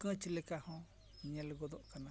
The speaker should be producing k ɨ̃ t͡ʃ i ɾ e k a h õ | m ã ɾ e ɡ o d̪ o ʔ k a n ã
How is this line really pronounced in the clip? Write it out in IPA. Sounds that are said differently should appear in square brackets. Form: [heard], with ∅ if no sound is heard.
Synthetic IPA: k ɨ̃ t͡ʃ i [l] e k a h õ | [ɲ] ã [l] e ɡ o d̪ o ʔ k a n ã